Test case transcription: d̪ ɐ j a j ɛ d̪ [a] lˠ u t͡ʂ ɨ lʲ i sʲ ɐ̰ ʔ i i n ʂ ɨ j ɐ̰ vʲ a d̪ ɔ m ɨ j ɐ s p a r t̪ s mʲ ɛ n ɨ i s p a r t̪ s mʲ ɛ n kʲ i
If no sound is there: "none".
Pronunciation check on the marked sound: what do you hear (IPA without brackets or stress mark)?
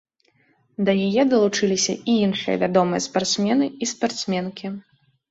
ɐ